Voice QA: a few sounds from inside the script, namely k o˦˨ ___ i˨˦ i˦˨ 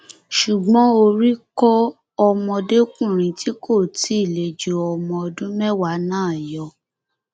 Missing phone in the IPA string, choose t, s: t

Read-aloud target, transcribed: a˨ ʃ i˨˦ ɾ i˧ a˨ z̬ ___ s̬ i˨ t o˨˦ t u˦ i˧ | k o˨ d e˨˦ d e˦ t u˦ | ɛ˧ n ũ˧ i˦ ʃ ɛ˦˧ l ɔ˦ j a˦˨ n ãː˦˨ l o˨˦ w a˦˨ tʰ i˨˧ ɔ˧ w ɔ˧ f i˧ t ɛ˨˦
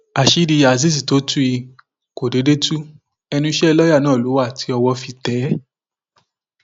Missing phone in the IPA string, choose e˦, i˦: i˦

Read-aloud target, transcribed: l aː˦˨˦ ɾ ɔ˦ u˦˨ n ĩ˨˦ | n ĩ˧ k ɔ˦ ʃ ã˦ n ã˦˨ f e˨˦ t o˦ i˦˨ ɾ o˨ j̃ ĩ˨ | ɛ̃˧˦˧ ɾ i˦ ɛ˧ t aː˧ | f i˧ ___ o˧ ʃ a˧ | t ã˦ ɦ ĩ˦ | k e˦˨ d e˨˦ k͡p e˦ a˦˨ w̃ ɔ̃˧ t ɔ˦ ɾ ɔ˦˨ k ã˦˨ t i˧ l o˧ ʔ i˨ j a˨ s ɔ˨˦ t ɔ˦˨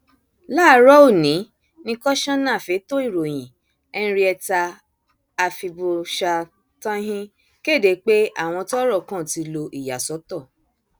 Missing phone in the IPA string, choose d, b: b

